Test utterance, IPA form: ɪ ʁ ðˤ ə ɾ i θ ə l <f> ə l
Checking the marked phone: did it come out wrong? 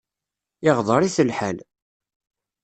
yes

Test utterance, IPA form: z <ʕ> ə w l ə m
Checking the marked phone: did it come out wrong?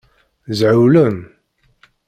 no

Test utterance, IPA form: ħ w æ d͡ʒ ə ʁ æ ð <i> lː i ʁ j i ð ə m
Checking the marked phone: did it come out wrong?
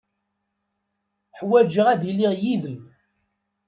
no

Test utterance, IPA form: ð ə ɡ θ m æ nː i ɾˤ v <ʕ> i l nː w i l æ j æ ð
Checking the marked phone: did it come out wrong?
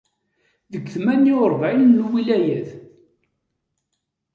no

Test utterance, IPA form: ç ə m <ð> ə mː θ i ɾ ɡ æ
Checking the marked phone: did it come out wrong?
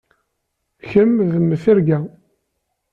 no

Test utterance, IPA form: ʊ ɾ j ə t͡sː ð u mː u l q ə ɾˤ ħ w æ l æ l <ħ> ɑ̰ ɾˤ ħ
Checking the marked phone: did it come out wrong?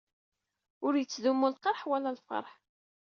yes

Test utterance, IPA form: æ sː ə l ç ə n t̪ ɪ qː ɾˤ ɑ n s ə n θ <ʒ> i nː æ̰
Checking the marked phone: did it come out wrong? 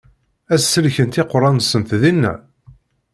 yes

